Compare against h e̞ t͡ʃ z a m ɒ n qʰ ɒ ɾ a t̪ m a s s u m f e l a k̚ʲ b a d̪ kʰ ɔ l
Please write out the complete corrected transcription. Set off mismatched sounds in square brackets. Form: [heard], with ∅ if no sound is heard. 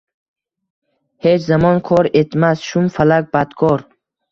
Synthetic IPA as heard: h e̞ t͡ʃ z a m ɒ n [kʰ] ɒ ɾ [e] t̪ m a s [ʃ] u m f [a] l a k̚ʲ b a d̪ kʰ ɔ [ɾ]